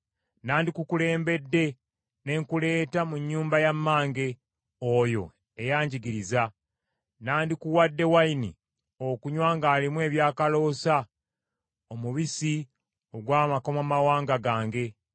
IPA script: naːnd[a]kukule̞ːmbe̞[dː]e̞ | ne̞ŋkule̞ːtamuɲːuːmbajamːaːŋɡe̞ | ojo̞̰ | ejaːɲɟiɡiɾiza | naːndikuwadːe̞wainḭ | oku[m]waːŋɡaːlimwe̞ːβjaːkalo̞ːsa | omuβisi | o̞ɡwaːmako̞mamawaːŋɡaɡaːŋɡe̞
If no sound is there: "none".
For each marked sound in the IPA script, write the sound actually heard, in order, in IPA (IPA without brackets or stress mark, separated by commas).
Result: i, dː, ɲ